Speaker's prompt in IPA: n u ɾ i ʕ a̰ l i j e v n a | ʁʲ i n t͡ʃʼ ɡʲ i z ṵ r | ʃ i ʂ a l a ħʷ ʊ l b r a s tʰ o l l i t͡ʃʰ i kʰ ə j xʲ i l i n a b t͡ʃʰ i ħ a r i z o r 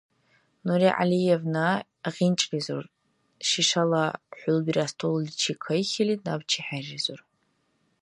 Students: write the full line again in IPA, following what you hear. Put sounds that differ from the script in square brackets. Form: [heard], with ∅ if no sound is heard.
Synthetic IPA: n u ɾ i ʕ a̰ l i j e v n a | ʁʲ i n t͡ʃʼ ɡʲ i z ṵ r | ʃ i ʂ a l a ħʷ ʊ l b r a s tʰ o l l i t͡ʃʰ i kʰ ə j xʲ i l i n a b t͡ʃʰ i ħ a r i z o r

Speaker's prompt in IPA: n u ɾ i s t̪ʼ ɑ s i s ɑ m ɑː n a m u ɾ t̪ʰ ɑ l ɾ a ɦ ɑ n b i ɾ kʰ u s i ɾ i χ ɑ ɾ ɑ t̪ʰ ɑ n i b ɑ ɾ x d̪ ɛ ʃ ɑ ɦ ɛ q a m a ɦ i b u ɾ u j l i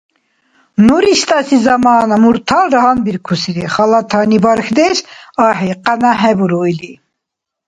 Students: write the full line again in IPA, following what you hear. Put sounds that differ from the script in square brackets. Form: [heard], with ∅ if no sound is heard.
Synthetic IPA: n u ɾ i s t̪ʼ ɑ s i [z] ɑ m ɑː n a m u ɾ t̪ʰ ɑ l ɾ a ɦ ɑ n b i ɾ kʰ u s i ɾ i χ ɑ [l] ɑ t̪ʰ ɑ n i b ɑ ɾ x d̪ ɛ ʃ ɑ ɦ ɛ q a [n] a ɦ [ɛ] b u ɾ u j l i

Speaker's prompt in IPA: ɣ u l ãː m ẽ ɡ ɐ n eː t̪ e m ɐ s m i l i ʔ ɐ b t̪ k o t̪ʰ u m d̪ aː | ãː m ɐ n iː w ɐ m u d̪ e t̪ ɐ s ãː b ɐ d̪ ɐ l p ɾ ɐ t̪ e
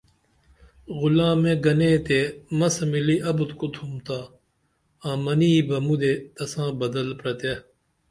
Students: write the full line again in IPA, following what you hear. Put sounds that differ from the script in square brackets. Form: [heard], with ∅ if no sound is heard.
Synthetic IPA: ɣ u l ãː m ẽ ɡ ɐ n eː t̪ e m ɐ s m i l i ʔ ɐ b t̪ k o t̪ʰ u m [t̪] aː | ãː m ɐ n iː [b] ɐ m u d̪ e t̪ ɐ s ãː b ɐ d̪ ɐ l p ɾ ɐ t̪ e

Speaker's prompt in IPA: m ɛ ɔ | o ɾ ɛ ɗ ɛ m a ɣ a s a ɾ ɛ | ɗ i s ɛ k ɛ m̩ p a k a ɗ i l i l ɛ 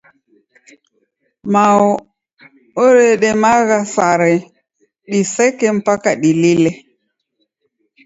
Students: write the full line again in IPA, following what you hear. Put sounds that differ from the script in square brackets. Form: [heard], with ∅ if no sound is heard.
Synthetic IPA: m [a] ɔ | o ɾ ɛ ɗ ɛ m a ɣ a s a ɾ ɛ | ɗ i s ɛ k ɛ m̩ p a k a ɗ i l i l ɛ

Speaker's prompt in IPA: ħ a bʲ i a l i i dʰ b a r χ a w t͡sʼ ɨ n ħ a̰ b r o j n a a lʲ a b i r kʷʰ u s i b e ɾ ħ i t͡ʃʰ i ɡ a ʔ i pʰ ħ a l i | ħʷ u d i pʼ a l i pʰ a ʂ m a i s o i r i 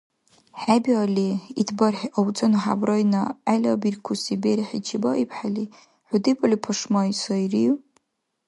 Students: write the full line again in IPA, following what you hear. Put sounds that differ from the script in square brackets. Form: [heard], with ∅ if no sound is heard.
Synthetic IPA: ħ a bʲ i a l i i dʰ b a r [ħ] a w t͡sʼ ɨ n ħ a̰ b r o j n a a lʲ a b i r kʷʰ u s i b e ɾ ħ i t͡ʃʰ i [b] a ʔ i pʰ ħ a l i | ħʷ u d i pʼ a l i pʰ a ʂ m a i s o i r i

